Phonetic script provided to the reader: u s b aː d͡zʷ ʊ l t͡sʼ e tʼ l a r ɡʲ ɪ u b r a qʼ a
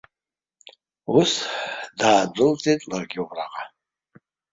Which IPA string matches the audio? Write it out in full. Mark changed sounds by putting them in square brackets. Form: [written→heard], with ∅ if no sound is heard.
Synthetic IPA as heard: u s [b→d] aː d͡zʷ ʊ l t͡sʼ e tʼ l a r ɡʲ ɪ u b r a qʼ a